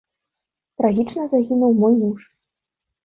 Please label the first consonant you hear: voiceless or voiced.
voiceless